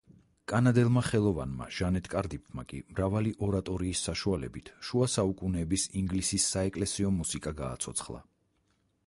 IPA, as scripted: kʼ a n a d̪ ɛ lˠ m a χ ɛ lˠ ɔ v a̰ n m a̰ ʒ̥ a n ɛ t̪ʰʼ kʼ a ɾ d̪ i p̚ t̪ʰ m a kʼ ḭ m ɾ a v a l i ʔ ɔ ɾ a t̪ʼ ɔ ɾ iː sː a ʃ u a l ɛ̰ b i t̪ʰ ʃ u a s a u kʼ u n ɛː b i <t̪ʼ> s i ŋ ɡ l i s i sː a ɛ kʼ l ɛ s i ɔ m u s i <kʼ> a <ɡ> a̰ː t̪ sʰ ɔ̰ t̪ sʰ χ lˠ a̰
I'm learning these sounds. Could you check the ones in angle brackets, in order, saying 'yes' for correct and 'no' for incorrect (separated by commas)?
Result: no, yes, yes